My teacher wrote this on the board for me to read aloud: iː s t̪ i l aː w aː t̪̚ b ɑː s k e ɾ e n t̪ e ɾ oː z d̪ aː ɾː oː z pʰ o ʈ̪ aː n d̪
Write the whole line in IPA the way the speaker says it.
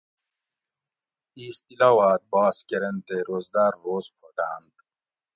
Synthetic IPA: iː s t̪ i l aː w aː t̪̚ b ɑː s k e ɾ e n t̪ e ɾ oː z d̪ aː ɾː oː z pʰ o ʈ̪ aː n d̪

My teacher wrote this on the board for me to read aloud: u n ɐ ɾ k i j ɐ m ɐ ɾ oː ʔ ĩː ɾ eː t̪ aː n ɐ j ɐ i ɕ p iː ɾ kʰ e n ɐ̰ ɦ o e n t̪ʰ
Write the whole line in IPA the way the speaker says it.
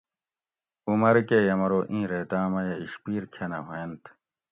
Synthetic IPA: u m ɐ ɾ k e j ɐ m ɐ ɾ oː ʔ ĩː ɾ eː t̪ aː m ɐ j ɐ i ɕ p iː ɾ kʰ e n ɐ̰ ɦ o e n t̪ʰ

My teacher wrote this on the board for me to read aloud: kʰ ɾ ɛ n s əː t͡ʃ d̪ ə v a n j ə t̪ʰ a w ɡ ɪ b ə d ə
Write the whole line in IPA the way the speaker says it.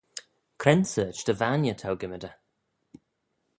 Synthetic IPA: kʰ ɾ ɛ n s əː t͡ʃ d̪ ə v a n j ə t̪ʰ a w ɡ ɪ m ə d ə

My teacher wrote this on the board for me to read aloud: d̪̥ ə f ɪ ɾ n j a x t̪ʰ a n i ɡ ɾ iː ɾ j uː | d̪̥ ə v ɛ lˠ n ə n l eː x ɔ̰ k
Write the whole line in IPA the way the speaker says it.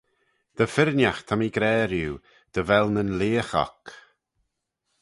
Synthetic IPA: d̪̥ ə f ɪ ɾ n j a x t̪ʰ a m i ɡ ɾ ɛː ɾ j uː | d̪̥ ə v ɛ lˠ n ə n l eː x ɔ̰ k

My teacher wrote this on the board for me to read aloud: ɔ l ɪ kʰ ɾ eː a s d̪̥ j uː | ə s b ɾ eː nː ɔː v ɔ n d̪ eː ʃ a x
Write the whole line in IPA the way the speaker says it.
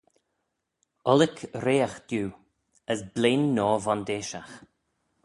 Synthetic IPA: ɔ l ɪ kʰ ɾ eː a x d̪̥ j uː | ə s b l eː nː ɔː v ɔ n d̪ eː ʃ a x

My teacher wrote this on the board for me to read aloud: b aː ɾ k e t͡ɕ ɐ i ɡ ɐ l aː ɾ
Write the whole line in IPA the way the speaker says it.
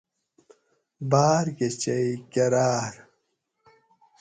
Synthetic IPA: b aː ɾ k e t͡ɕ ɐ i k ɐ ɾ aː ɾ

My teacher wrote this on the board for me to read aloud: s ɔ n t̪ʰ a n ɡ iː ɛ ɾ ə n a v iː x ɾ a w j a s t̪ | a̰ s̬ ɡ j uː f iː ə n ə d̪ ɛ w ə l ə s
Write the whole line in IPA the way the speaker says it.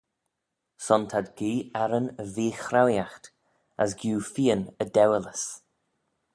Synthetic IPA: s ɔ n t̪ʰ a d ɡ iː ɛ ɾ ə n ə v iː x ɾ a w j a x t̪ | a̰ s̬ ɡ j uː f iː ə n ə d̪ ɛ w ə l ə s

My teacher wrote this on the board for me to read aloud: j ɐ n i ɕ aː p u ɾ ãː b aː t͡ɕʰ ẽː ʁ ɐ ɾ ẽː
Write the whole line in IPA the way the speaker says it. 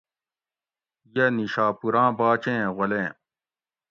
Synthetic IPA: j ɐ n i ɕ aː p u ɾ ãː b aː t͡ɕ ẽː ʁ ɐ l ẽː

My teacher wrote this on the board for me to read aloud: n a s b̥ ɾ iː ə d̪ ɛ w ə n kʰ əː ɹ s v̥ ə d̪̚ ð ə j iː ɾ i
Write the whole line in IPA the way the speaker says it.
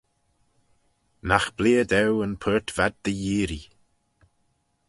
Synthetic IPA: n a x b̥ l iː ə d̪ ɛ w ə n pʰ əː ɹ t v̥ a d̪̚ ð ə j iː ɾ i

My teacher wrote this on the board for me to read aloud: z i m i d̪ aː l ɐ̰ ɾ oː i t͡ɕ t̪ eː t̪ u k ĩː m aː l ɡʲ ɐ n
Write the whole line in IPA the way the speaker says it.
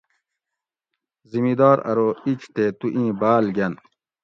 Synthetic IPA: z i m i d̪ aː ɾ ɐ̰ ɾ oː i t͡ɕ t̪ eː t̪ u ʔ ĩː b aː l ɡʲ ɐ n

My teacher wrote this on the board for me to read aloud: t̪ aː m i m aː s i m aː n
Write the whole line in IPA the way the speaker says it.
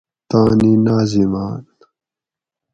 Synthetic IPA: t̪ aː n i n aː z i m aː n

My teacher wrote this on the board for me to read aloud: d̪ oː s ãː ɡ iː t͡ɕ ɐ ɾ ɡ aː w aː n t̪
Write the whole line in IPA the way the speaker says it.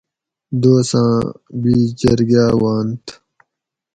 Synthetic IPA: d̪ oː s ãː b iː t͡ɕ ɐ ɾ ɡ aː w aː n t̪

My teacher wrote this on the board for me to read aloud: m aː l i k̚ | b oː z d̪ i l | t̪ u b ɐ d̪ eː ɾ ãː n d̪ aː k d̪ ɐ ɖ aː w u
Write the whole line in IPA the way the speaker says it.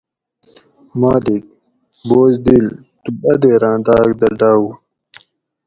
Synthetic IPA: m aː l i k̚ | b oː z d̪ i l | t̪ u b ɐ d̪ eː ɾ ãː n d̪ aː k d̪ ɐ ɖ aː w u

